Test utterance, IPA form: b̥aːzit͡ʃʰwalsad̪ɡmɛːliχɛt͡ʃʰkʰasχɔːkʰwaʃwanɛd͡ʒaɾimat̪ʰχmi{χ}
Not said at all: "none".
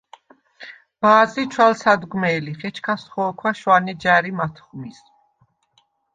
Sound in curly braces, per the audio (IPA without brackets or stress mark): s